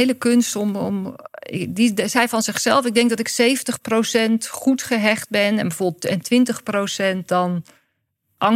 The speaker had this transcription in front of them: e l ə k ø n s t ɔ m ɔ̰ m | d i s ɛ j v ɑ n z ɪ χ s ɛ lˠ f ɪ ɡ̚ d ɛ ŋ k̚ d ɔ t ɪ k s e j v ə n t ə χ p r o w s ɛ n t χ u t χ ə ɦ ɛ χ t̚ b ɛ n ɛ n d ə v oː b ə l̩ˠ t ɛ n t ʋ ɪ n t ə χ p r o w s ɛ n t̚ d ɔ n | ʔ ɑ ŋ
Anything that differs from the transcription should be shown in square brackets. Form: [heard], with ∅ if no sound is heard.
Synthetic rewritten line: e l ə k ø n s t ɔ m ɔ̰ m | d i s ɛ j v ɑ n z ɪ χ s ɛ lˠ f ɪ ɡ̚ d ɛ ŋ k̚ d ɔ t ɪ k s e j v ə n t ə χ p r o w s ɛ n t χ u t χ ə ɦ ɛ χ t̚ b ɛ n ɛ n [b] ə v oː b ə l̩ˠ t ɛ n t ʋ ɪ n t ə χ p r o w s ɛ n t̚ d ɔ n | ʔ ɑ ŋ